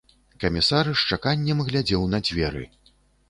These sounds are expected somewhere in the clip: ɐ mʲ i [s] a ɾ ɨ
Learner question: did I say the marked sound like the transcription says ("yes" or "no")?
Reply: yes